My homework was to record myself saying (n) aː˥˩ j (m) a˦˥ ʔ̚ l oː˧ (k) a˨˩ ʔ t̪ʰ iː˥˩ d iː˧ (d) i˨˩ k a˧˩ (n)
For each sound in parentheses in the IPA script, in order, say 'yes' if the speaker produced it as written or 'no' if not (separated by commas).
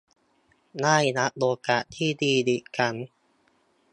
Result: yes, no, yes, yes, yes